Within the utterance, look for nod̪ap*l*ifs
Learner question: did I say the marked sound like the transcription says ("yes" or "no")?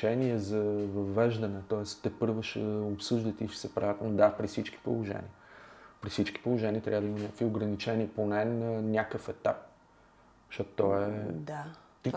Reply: no